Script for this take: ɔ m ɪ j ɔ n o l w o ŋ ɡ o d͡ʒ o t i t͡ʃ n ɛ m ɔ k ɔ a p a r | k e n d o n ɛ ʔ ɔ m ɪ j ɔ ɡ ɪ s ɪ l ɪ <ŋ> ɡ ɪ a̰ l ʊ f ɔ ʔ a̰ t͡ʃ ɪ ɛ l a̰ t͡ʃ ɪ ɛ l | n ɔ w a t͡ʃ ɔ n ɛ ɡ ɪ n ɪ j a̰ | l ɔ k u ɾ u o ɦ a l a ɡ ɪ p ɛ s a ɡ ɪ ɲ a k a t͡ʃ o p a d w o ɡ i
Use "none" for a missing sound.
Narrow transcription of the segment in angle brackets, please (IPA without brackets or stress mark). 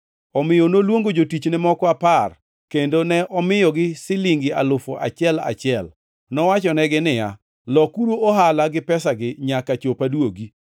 ŋ